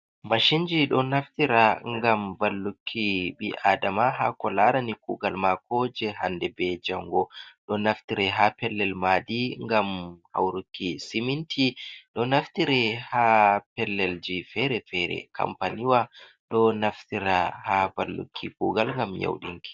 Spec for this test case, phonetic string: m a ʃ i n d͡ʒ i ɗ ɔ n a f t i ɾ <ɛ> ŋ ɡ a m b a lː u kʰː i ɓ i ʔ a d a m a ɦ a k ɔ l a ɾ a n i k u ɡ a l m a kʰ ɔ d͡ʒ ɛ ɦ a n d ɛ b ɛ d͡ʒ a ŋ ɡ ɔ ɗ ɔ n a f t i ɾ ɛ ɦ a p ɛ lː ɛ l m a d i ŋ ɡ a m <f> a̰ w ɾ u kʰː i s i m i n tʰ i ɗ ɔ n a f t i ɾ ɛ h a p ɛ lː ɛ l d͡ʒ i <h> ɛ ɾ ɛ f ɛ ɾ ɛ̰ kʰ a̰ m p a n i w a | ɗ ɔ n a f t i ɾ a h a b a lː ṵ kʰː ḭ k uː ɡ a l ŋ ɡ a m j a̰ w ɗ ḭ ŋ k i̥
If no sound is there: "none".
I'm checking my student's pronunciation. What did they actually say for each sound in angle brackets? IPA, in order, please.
a, h, f

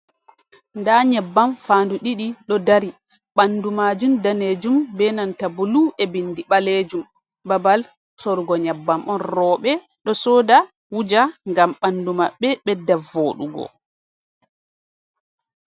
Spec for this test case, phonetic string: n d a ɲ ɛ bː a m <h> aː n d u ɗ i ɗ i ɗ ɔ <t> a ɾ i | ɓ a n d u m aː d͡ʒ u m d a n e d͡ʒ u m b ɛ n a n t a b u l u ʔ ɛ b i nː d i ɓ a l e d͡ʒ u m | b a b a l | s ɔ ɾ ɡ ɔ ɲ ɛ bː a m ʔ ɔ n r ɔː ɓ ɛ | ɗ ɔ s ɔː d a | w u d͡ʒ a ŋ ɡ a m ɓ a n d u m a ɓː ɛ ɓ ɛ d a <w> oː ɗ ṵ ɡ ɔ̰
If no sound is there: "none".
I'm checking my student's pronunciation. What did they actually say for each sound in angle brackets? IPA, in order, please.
f, d, v

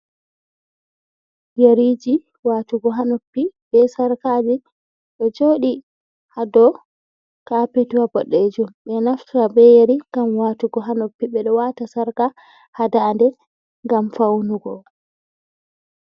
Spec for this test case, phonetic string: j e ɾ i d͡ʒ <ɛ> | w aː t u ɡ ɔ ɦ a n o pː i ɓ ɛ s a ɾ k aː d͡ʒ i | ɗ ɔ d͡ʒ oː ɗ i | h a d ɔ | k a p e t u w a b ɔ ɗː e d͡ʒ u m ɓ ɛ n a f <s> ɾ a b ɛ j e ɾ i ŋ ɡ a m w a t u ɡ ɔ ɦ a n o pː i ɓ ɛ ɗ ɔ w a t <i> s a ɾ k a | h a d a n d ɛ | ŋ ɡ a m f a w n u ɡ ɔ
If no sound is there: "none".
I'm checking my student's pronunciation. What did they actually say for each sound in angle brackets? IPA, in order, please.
i, t, a

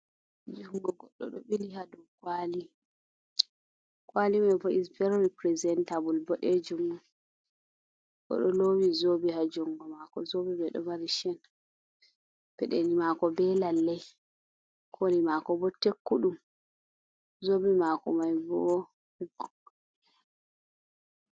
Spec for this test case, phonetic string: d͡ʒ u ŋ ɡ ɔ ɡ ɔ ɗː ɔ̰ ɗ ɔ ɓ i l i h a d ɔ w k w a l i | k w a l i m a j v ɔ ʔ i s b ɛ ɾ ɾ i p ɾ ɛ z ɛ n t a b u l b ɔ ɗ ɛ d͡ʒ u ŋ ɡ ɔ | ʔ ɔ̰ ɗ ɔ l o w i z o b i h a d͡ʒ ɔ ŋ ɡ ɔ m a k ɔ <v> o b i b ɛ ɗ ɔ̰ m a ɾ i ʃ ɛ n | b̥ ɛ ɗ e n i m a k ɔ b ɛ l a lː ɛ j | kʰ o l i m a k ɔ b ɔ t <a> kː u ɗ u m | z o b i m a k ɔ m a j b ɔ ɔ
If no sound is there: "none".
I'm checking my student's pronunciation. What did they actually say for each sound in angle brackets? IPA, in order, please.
z, e

